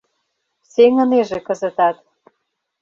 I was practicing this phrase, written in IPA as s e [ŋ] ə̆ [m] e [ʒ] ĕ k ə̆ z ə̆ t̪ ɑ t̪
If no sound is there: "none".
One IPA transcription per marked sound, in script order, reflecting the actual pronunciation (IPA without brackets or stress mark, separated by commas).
ŋ, n, ʒ